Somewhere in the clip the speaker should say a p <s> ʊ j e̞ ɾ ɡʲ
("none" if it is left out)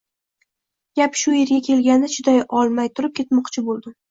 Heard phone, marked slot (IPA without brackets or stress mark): ʃ